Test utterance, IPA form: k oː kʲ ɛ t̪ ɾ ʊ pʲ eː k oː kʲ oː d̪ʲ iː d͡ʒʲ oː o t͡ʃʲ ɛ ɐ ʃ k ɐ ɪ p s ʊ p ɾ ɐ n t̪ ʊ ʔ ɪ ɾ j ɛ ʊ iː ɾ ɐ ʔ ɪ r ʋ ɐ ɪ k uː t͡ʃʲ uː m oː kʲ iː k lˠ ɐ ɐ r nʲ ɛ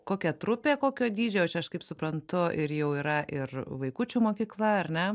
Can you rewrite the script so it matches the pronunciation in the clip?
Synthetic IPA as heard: k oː kʲ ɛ t̪ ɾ ʊ pʲ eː k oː kʲ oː d̪ʲ iː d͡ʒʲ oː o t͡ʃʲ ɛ ɐ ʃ k ɐ ɪ p s ʊ p ɾ ɐ n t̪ ʊ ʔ ɪ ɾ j ɛ ʊ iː ɾ ɐ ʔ ɪ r ʋ ɐ ɪ k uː t͡ʃʲ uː m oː kʲ iː k lˠ ɐ ɐ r nʲ ɛ